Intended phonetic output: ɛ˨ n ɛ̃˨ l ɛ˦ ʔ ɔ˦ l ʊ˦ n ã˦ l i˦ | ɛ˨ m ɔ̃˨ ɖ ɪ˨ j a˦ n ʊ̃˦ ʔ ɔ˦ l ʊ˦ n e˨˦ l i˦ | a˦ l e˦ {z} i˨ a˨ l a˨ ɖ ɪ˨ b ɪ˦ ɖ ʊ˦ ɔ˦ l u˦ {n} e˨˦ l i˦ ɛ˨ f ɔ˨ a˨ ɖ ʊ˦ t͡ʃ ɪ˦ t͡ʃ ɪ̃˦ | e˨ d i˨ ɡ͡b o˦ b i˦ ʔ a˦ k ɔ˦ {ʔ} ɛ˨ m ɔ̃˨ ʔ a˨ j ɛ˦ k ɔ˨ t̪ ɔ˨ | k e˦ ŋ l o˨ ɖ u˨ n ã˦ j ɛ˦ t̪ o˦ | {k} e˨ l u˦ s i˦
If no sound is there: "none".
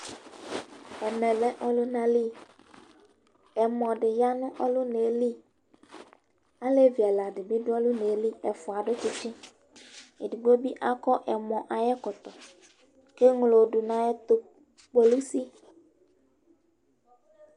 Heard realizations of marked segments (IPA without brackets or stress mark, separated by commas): v, n, ʔ, k͡p